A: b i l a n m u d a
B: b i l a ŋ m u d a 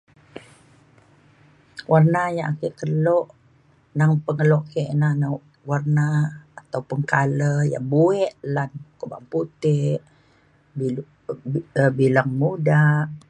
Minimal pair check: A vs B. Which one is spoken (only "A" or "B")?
B